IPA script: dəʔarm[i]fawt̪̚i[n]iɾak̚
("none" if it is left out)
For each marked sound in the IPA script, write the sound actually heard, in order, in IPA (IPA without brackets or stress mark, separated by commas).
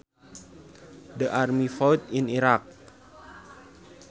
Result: i, n